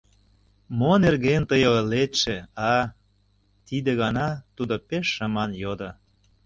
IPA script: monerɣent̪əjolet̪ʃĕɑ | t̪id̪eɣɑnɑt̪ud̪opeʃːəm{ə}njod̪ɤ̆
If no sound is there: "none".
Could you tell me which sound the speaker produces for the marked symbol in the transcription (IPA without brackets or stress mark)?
ɑ